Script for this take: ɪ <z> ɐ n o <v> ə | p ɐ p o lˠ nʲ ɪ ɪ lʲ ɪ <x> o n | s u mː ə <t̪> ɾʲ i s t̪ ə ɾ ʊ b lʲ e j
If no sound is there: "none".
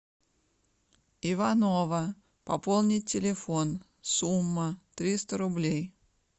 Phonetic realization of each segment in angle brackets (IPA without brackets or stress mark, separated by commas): v, v, f, t̪